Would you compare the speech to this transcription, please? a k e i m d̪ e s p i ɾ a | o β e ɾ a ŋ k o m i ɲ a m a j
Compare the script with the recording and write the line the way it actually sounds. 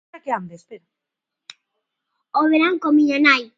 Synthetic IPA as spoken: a k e a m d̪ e s p e ɾ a | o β e ɾ a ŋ k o m i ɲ a n a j